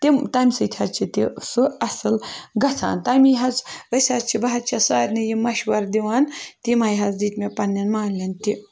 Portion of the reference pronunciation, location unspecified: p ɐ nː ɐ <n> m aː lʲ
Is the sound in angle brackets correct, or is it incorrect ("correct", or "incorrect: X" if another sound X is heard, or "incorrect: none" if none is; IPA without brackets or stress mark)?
correct